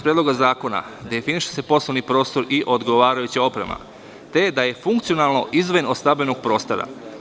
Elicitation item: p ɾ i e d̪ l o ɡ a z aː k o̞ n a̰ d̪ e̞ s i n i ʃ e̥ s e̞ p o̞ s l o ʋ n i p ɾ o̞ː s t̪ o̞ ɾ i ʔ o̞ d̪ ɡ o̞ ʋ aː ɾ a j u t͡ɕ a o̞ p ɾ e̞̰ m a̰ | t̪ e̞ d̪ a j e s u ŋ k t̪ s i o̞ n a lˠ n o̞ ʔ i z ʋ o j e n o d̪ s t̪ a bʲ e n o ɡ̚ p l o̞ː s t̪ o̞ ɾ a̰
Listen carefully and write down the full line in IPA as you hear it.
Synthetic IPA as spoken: p ɾ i e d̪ l o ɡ a z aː k o̞ n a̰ d̪ e̞ f i n i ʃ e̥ s e̞ p o̞ s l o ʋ n i p ɾ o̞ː s t̪ o̞ ɾ i ʔ o̞ d̪ ɡ o̞ ʋ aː ɾ a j u t͡ɕ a o̞ p ɾ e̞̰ m a̰ | t̪ e̞ d̪ a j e f u ŋ k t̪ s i o̞ n a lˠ n o̞ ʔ i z ʋ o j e n o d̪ s t̪ a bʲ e n o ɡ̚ p ɾ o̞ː s t̪ o̞ ɾ a̰